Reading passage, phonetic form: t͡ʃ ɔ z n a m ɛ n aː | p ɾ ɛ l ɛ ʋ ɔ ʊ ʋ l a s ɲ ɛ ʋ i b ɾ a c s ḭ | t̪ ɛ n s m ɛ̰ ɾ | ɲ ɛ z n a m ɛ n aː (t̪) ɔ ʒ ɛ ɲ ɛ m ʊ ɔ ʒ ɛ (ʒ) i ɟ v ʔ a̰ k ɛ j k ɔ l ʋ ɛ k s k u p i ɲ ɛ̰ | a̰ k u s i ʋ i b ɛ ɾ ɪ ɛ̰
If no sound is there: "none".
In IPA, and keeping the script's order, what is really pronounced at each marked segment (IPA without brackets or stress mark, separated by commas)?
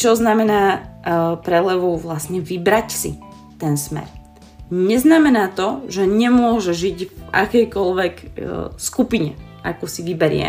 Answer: t̪, ʒ